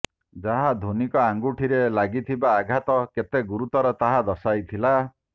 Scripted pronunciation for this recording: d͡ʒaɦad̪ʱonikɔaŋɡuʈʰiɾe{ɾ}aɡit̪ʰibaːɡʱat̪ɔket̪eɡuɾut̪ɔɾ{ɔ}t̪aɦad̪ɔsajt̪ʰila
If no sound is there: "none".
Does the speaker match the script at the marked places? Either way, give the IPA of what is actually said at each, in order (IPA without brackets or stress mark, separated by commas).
l, ɔ